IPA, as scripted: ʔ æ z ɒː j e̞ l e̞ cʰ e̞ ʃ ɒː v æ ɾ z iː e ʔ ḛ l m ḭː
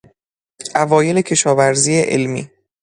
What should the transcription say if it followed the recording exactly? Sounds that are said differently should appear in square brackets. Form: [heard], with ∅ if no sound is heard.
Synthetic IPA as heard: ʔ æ [v] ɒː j e̞ l e̞ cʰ e̞ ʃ ɒː v æ ɾ z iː e ʔ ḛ l m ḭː